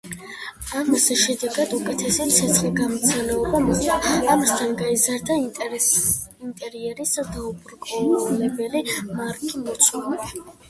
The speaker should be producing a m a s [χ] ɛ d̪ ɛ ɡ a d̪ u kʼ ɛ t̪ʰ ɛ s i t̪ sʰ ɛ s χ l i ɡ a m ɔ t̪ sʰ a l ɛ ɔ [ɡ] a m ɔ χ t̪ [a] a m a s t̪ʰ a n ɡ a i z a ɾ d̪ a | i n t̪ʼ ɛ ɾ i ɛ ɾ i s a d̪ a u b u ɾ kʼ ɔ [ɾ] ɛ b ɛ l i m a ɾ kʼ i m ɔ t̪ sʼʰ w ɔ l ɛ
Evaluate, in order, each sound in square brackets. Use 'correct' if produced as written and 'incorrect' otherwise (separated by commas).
incorrect, incorrect, correct, incorrect